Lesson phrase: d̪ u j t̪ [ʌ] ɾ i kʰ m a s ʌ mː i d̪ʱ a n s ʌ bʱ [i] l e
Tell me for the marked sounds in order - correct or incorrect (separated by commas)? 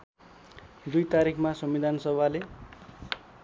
incorrect, incorrect